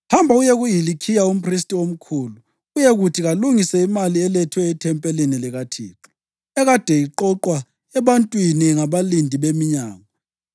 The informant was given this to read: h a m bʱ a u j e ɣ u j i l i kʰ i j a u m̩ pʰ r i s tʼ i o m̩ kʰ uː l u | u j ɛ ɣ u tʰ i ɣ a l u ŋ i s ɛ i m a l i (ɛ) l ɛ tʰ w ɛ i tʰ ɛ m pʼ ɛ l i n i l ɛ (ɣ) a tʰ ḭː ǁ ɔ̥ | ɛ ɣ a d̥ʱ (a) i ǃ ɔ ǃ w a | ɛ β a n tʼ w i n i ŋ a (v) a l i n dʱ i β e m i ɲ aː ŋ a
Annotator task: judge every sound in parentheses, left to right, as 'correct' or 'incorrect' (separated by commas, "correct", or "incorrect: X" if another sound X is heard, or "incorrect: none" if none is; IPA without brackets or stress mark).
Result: correct, correct, incorrect: ɛ, incorrect: β